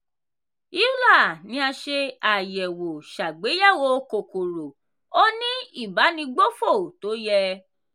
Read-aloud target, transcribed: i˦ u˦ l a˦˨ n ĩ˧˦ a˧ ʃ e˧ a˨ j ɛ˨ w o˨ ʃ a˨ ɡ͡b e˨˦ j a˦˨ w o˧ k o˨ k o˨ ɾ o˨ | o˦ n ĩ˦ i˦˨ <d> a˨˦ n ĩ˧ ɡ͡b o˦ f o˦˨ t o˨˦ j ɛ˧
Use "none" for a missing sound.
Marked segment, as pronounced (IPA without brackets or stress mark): b